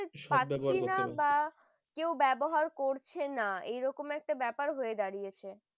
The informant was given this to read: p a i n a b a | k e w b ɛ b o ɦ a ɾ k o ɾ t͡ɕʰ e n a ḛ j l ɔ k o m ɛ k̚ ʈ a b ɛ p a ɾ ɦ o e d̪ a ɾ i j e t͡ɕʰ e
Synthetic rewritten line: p a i n a b a | k e w b ɛ b o ɦ a ɾ k o ɾ t͡ɕʰ e n a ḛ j ɾ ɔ k o m ɛ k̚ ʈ a b ɛ p a ɾ ɦ o e d̪ a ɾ i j e t͡ɕʰ e